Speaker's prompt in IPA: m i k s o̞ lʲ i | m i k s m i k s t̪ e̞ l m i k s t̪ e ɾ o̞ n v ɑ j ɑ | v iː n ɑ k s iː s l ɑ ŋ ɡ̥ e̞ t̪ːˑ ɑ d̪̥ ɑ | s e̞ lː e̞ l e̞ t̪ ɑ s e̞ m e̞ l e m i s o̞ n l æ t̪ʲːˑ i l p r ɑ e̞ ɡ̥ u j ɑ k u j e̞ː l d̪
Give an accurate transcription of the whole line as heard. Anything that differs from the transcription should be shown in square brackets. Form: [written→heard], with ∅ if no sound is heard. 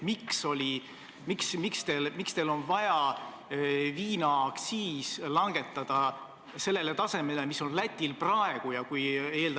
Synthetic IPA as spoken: m i k s o̞ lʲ i | m i k s m i k s t̪ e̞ l m i k s t̪ e [ɾ→l] o̞ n v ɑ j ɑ | v iː n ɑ k s iː s l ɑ ŋ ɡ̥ e̞ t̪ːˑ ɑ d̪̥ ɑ | s e̞ lː e̞ l e̞ t̪ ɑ s e̞ m e̞ l e m i s o̞ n l æ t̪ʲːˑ i l p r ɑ e̞ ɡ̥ u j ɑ k u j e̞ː l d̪

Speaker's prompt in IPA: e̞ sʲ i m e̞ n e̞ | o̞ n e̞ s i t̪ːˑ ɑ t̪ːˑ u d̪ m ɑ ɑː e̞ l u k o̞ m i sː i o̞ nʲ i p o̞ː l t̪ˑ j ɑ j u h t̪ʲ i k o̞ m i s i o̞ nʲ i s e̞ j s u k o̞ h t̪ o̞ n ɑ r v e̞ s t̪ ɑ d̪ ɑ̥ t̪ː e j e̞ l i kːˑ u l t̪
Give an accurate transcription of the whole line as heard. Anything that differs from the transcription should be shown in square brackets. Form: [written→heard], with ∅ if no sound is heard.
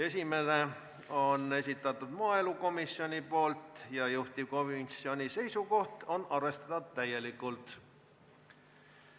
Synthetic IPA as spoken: e̞ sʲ i m e̞ n e̞ | o̞ n e̞ s i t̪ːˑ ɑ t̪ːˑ u d̪ m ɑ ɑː e̞ l u k o̞ m i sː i o̞ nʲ i p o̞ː l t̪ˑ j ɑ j u h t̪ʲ i k o̞ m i s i o̞ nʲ i s e̞ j s u k o̞ h t̪ o̞ n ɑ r v e̞ s t̪ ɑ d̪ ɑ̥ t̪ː [e→æ] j e̞ l i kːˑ u l t̪

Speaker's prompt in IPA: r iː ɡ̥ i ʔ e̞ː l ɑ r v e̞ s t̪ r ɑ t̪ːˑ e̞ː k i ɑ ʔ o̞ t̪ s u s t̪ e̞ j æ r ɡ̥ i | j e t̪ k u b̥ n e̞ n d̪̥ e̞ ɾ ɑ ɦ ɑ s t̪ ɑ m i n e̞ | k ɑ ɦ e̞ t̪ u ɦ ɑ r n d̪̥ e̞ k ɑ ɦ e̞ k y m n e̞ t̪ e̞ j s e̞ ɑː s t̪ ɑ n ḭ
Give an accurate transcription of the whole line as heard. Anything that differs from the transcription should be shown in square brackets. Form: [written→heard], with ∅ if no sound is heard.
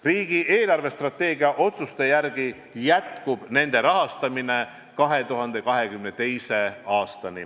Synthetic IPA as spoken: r iː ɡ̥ i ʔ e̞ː l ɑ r v e̞ s t̪ r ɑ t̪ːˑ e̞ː [k→ɡ] i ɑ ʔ o̞ t̪ s u s t̪ e̞ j æ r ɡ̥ i | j [e→æ] t̪ k u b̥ n e̞ n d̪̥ e̞ ɾ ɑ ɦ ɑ s t̪ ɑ m i n e̞ | k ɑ ɦ e̞ t̪ u ɦ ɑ [r→∅] n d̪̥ e̞ k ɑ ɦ e̞ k y m n e̞ t̪ e̞ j s e̞ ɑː s t̪ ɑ n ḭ

